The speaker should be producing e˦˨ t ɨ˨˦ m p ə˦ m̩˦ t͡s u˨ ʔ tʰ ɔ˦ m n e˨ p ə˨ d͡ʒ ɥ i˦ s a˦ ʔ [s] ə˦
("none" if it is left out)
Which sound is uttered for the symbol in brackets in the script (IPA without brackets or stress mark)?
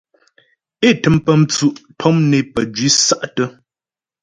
t